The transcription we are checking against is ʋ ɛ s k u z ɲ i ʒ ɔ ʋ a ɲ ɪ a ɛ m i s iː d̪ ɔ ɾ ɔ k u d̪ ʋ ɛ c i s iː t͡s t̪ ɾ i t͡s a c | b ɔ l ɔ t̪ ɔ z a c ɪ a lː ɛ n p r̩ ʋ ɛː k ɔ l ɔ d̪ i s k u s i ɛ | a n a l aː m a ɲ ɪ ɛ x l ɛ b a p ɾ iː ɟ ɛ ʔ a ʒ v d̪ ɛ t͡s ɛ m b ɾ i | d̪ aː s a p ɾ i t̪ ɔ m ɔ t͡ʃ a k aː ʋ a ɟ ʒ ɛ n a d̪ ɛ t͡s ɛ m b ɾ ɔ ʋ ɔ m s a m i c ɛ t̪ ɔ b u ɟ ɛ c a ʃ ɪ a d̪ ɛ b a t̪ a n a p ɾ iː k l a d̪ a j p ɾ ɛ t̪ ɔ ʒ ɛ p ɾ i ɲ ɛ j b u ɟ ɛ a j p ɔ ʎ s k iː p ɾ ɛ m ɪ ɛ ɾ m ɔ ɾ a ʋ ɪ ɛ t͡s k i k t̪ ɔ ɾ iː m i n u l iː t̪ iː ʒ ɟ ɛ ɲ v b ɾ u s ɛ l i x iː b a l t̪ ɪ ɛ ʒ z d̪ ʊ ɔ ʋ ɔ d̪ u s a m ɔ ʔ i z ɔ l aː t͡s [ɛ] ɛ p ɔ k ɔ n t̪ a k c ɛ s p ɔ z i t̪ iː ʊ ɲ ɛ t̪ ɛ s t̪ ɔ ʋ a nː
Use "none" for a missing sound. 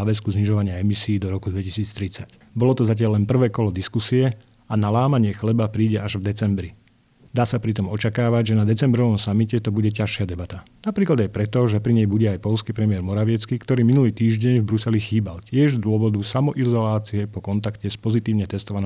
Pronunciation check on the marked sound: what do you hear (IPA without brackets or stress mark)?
i